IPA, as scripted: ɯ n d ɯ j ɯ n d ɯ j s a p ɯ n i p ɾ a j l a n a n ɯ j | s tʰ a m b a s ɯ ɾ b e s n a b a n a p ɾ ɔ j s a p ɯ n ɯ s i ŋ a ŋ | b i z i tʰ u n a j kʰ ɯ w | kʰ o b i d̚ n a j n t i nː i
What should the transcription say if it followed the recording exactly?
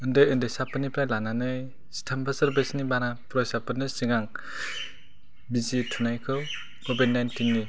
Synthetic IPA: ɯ n d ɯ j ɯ n d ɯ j s a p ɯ n i p ɾ a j l a n a n ɯ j | s tʰ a m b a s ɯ ɾ b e s n i b a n a p ɾ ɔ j s a p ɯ n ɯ s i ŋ a ŋ | b i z i tʰ u n a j kʰ ɯ w | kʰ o b i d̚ n a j n t i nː i